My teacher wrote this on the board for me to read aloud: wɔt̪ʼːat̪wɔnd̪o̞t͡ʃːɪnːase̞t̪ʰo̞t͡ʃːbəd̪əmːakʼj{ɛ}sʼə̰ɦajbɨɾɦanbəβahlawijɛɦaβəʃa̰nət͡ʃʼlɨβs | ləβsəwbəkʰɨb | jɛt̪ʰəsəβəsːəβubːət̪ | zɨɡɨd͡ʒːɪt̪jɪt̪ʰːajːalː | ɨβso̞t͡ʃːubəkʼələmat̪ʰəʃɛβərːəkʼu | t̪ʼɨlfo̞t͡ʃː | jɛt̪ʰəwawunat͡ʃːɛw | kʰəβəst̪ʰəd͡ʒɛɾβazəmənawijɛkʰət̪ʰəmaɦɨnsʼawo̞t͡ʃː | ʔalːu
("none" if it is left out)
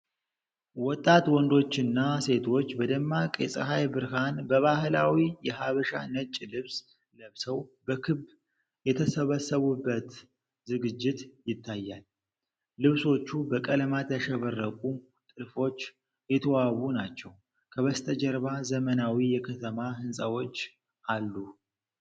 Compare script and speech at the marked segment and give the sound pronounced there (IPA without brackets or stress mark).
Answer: ɛ